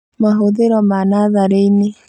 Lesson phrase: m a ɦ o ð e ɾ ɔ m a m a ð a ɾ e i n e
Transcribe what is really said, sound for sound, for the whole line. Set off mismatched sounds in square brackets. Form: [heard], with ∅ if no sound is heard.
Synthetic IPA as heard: m a ɦ o ð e ɾ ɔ m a [n] a ð a ɾ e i n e